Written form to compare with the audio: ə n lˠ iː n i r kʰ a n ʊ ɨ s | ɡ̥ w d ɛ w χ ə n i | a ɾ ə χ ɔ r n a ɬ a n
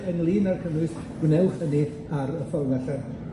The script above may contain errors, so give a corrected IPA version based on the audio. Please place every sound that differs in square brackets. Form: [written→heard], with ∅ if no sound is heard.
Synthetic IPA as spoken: ə n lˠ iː n [i→a] r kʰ [a→ə] n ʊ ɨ s | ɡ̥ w [d→n] ɛ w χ ə n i | a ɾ ə [χ→f] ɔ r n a ɬ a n